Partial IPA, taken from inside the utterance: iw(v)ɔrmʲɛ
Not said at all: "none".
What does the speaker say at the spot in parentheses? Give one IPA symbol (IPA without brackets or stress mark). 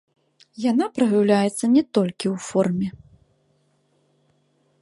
f